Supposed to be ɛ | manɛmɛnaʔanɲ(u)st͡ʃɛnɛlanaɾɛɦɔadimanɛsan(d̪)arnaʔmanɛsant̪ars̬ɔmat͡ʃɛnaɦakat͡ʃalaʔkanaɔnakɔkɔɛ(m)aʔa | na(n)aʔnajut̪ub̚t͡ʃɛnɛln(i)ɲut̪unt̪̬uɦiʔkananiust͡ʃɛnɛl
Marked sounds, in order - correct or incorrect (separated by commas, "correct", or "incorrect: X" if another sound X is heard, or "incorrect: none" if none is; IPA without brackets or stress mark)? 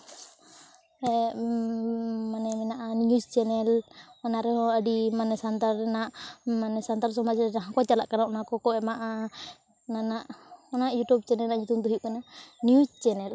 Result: correct, incorrect: t̪, correct, correct, incorrect: a